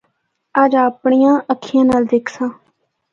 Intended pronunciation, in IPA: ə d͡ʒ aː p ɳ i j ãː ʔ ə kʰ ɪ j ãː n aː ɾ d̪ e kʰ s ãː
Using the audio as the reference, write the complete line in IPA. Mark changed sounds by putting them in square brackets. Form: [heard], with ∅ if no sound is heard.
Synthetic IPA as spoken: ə d͡ʒ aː p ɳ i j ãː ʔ ə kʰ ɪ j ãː n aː [l] d̪ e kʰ s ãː